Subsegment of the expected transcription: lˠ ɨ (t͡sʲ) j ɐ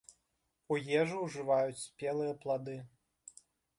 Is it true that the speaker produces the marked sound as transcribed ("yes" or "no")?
no